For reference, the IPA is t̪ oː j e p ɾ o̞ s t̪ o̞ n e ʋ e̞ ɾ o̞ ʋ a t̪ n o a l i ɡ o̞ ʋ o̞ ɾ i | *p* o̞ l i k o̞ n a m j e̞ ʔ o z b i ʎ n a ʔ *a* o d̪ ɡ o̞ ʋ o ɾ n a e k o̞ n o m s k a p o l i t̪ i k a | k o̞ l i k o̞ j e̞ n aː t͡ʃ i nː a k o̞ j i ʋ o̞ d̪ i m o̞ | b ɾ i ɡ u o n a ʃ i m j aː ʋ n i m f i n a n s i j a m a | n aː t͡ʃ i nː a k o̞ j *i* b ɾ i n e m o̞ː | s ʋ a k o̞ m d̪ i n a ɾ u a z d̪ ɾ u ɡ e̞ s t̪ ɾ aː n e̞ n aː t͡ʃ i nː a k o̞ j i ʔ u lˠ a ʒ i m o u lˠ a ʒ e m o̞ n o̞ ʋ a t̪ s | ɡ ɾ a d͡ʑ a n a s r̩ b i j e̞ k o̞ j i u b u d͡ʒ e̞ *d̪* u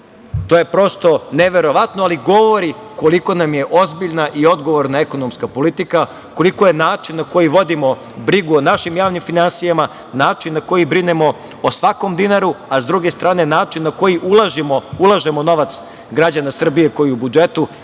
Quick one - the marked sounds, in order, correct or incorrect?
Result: incorrect: k, incorrect: i, correct, incorrect: t̪

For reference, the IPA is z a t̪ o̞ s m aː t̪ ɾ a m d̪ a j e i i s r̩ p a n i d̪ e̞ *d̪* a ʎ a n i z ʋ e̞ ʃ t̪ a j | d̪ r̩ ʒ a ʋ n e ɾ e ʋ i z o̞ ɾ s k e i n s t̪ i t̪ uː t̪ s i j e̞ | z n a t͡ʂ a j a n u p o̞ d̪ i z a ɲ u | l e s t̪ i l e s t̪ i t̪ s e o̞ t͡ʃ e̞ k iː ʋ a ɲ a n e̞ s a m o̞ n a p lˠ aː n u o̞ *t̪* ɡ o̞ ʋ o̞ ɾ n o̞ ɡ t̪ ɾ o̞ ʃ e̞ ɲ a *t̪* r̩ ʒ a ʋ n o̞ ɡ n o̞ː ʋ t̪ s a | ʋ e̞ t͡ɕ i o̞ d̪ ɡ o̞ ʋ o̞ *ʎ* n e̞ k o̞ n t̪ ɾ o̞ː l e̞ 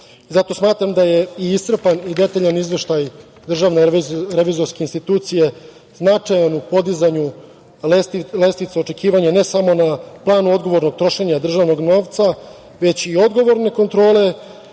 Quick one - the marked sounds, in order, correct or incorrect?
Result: incorrect: t̪, incorrect: d̪, incorrect: d̪, incorrect: ɾ

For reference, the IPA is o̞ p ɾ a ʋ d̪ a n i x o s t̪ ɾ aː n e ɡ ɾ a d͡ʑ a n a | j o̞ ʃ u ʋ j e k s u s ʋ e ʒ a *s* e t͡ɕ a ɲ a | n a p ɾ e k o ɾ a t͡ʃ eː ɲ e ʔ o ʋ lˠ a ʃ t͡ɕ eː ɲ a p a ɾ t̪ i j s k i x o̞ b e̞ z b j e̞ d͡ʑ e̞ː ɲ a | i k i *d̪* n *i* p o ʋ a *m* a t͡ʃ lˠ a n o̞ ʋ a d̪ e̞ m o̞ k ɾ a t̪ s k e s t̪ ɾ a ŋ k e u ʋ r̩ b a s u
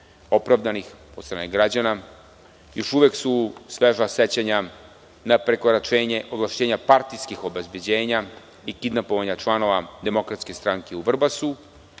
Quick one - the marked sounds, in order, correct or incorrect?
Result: correct, correct, incorrect: a, incorrect: ɲ

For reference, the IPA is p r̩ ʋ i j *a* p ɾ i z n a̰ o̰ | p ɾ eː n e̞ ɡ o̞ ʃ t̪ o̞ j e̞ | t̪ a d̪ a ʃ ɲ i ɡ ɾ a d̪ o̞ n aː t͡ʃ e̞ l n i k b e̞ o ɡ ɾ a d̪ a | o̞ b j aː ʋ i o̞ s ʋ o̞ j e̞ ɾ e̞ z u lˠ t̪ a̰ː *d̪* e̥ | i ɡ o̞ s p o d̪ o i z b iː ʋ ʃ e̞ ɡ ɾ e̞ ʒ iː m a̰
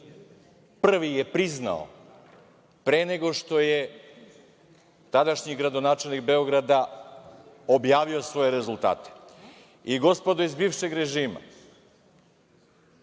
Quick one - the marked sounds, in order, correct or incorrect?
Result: incorrect: e, incorrect: t̪

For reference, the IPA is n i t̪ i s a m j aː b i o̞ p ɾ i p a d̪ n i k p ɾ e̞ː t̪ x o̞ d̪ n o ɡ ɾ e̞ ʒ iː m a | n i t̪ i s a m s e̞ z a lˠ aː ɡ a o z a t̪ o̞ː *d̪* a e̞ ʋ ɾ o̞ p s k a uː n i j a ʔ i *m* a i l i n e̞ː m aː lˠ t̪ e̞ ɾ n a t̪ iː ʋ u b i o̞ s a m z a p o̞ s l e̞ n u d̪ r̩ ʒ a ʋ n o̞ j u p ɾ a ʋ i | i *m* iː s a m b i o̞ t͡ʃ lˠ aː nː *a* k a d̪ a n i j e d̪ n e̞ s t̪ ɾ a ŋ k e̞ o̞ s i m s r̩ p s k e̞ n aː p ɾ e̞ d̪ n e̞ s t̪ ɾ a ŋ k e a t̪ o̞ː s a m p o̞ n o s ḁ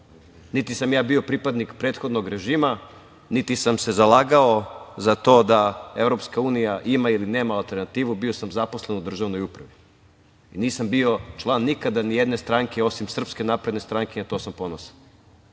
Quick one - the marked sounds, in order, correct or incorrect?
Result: correct, correct, incorrect: n, incorrect: i

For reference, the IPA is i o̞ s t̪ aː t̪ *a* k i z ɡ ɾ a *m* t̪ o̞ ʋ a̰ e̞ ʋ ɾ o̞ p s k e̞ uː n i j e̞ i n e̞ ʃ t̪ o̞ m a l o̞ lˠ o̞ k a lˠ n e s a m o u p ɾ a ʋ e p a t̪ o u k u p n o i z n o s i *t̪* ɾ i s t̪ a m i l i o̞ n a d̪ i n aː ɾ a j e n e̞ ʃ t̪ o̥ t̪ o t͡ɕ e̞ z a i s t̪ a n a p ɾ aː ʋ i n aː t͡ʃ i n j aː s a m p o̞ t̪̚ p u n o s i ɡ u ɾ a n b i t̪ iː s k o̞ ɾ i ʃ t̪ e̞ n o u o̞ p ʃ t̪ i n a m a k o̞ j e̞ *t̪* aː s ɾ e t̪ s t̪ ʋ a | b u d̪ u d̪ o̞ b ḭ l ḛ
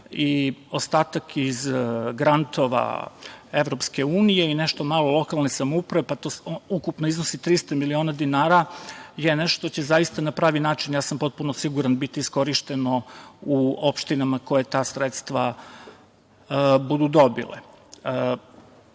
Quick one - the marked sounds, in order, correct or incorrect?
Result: correct, incorrect: n, correct, correct

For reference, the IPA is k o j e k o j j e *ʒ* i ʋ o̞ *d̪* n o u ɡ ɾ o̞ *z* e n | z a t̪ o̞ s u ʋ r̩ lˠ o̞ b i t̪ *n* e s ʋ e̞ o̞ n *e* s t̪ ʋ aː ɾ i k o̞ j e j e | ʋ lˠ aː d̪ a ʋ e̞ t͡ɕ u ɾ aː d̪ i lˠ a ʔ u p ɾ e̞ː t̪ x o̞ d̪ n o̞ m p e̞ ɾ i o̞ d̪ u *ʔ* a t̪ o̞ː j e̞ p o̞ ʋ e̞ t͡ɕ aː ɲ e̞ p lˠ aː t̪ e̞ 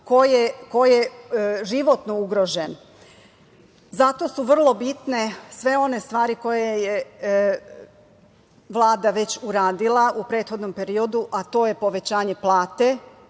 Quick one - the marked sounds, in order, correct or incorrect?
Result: correct, incorrect: t̪, incorrect: ʒ, correct, correct, correct

